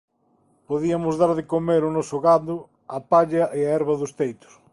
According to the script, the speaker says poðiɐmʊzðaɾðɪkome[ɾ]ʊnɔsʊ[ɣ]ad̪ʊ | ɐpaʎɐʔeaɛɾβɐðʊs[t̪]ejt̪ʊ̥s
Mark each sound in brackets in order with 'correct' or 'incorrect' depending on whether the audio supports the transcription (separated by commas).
correct, correct, correct